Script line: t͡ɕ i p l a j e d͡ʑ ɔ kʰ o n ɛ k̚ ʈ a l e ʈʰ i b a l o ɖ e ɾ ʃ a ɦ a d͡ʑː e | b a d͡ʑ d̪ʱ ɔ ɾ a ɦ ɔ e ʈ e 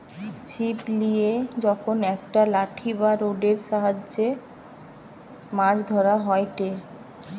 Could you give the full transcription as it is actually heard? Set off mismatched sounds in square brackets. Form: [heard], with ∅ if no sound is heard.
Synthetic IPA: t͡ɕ i p l [i] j e d͡ʑ ɔ kʰ o n ɛ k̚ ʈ a l [a] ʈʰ i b a [ɾ] o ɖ e ɾ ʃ a ɦ a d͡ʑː e | [m] a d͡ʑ d̪ʱ ɔ ɾ a ɦ ɔ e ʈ e